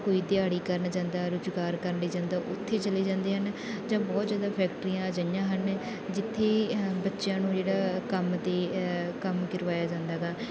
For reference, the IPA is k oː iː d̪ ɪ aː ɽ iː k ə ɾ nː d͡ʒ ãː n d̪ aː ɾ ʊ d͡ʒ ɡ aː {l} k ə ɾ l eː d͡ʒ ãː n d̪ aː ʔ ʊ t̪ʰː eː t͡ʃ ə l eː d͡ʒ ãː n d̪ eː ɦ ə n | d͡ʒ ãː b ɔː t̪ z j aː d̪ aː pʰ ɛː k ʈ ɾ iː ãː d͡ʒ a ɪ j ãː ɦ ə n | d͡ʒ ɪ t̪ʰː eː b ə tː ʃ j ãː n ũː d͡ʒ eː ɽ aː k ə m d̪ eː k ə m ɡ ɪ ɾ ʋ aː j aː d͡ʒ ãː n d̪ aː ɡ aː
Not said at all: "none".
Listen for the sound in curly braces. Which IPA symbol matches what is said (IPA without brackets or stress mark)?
ɾ